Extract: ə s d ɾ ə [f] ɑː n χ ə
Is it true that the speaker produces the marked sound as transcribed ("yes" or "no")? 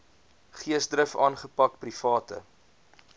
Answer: yes